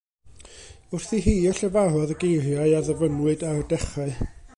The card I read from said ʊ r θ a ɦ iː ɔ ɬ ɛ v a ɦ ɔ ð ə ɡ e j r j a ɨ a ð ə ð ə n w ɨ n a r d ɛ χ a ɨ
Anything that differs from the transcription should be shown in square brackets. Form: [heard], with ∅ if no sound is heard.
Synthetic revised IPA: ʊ r θ [i] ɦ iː ɔ ɬ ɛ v a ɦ ɔ ð ə ɡ e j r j a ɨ a ð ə [v] ə n w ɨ [d] a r d ɛ χ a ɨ